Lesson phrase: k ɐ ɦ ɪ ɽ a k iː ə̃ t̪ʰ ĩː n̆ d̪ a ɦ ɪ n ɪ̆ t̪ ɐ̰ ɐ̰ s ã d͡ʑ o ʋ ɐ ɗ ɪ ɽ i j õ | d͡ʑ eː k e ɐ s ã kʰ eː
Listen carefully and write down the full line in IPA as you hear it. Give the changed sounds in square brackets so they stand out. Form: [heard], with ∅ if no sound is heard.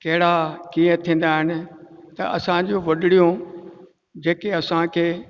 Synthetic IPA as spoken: k ɐ ɦ ɪ ɽ a k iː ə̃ t̪ʰ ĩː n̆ d̪ a ɦ ɪ n ɪ̆ t̪ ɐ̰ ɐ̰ s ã d͡ʑ o ʋ ɐ ɗ ɪ ɽ i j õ | d͡ʑ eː k e ɐ s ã kʰ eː